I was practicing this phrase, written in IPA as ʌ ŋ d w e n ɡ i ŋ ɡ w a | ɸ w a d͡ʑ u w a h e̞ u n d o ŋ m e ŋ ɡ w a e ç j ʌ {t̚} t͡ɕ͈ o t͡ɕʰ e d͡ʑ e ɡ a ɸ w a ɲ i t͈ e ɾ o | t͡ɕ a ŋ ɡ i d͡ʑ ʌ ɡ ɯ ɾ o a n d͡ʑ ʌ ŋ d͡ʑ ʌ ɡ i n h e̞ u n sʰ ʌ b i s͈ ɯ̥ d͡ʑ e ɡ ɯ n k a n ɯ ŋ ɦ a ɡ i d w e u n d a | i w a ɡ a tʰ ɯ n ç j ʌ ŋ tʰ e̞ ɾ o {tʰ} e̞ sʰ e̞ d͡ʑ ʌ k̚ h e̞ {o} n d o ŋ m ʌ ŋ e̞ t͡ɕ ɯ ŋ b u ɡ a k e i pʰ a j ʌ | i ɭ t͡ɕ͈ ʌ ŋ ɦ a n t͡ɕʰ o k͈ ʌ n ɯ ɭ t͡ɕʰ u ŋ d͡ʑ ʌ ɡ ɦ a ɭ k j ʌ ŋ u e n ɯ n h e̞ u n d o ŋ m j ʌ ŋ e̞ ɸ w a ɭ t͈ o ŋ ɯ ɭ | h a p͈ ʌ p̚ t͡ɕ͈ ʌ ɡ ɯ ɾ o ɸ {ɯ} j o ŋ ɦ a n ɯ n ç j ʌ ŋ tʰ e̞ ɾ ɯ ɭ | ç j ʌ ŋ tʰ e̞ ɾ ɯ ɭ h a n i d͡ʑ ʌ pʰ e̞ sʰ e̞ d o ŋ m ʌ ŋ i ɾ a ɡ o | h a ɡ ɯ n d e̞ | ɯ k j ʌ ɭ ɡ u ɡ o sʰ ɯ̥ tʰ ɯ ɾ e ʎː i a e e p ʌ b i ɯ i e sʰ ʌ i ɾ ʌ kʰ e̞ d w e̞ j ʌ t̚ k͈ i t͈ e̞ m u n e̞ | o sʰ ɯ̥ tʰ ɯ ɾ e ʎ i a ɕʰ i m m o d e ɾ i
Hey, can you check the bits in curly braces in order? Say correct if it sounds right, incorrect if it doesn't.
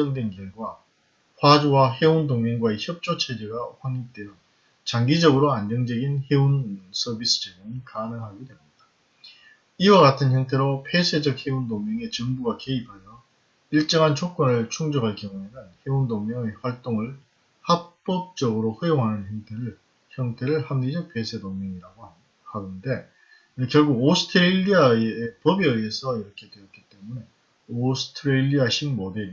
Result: incorrect: p̚, incorrect: pʰ, incorrect: u, correct

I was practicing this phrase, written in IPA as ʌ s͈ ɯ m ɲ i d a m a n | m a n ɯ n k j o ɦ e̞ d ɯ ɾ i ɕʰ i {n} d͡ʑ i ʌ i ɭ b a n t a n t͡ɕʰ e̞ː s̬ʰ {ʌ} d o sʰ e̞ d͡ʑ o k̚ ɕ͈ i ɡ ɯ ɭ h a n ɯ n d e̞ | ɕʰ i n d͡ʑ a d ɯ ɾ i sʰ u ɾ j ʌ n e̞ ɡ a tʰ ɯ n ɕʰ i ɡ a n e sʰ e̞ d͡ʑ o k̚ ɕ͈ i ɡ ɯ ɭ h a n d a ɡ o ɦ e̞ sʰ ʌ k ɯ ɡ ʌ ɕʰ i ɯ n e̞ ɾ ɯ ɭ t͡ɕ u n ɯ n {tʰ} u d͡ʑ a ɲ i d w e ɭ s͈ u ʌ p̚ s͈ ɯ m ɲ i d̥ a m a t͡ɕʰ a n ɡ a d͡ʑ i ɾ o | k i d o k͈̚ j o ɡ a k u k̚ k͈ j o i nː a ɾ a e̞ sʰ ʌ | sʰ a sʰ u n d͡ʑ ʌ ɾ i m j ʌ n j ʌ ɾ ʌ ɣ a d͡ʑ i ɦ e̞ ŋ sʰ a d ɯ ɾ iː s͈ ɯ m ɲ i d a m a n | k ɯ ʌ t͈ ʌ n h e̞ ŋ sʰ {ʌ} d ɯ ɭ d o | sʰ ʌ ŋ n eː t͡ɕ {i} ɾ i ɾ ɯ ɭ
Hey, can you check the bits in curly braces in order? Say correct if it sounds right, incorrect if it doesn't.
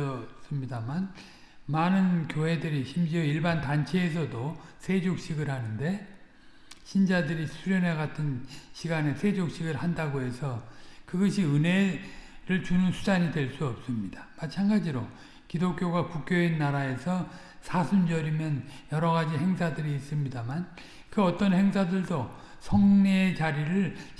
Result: incorrect: m, correct, incorrect: sʰ, incorrect: a, incorrect: a

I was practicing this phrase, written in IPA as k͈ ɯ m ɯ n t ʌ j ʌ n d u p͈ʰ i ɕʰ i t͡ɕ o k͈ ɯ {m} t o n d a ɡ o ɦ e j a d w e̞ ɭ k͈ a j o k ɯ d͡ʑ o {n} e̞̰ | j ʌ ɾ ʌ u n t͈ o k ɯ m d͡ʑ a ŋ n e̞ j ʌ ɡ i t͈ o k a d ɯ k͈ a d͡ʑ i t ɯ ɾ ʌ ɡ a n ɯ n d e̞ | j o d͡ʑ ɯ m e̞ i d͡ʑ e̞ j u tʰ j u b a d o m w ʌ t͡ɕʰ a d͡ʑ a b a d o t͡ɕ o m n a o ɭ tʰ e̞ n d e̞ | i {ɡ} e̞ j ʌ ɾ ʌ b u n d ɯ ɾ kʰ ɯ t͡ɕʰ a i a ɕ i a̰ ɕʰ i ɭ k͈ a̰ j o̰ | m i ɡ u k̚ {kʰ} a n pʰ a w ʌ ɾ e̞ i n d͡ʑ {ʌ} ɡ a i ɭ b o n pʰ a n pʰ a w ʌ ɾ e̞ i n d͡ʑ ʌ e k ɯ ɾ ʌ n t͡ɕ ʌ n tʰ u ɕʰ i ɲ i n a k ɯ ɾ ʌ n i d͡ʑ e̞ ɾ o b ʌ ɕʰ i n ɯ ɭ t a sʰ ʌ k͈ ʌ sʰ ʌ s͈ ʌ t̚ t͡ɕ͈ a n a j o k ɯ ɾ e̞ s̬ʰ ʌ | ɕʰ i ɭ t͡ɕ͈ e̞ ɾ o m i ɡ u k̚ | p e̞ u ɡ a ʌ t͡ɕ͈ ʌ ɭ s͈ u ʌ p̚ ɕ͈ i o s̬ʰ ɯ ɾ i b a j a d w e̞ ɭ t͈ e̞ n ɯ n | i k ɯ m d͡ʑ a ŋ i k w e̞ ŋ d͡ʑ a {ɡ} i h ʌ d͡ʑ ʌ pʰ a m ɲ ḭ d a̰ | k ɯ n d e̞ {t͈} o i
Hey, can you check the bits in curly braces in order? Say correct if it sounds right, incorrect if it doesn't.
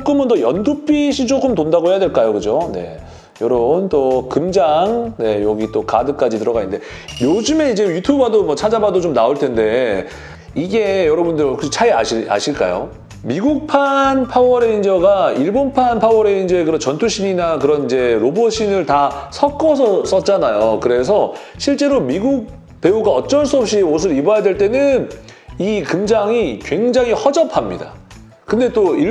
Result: correct, correct, correct, incorrect: pʰ, correct, incorrect: ŋ, correct

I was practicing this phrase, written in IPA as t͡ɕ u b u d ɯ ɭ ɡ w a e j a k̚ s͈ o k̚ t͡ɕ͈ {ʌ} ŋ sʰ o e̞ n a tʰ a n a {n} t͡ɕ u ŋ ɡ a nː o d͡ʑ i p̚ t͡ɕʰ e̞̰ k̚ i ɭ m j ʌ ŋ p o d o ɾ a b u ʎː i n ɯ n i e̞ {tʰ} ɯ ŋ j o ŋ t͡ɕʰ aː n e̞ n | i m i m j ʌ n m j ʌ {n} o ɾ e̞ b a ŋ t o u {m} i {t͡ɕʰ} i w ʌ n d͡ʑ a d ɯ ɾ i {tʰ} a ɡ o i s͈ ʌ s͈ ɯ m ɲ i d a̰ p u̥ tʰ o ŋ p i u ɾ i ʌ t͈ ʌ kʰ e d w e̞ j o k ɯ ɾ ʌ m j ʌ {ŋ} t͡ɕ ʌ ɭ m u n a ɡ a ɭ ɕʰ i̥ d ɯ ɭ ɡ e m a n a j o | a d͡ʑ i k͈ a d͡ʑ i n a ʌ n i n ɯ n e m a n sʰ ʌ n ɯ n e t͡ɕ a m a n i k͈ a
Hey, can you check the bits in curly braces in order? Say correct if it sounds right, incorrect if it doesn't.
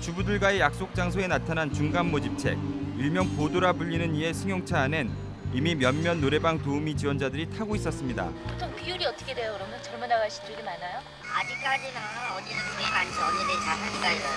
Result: incorrect: a, correct, incorrect: sʰ, incorrect: nː, correct, incorrect: t͡ɕ, correct, incorrect: n

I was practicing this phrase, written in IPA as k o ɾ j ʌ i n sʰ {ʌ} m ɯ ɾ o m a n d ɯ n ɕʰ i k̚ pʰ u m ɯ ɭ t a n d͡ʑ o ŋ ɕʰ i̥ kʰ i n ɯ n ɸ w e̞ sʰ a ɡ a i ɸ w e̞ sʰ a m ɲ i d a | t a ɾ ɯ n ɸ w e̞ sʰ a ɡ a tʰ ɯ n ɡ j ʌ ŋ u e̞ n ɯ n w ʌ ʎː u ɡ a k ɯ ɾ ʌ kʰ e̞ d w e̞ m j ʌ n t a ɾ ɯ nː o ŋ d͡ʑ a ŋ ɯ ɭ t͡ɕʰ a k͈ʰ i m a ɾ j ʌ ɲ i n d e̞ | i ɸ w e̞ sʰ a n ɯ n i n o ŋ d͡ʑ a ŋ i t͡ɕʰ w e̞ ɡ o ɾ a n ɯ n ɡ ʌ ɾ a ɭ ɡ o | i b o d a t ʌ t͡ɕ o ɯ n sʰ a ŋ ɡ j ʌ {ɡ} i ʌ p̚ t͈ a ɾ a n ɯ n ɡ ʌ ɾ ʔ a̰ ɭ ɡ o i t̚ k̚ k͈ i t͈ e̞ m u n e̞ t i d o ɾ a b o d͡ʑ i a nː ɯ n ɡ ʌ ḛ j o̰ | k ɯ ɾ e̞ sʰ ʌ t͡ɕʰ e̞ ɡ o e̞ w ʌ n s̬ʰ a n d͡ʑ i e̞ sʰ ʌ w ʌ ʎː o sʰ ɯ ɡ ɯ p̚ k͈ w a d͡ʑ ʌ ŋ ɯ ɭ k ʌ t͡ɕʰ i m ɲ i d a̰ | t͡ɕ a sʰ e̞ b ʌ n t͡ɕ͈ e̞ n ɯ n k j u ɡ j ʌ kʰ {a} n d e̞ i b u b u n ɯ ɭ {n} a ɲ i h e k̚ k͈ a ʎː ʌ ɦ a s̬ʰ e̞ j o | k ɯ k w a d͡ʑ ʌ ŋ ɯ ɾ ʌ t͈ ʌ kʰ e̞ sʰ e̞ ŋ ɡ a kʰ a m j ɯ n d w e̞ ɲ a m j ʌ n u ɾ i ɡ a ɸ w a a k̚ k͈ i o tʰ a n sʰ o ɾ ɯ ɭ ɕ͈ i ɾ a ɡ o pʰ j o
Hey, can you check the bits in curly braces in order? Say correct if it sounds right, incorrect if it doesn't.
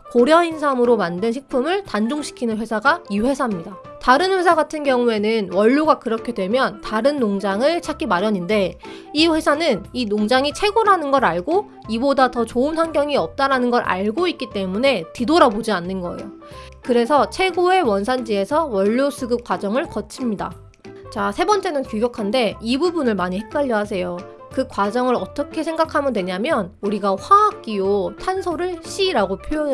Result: incorrect: a, incorrect: ŋ, correct, incorrect: m

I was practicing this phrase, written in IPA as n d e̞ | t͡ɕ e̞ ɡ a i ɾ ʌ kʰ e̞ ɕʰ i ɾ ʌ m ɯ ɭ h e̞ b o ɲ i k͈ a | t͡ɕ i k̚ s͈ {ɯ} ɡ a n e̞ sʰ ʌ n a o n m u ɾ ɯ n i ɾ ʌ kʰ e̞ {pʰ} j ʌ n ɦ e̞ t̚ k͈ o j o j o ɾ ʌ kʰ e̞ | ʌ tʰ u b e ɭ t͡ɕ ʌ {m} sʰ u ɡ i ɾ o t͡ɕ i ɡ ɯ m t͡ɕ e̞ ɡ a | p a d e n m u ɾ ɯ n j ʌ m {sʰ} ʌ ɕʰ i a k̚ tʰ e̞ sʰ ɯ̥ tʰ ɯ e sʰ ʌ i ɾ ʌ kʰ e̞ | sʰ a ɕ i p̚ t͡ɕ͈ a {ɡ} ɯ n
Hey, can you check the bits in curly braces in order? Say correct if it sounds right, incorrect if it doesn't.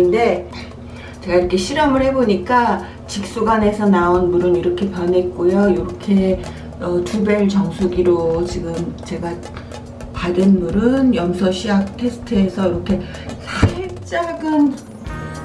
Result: incorrect: u, incorrect: p, incorrect: ŋ, correct, correct

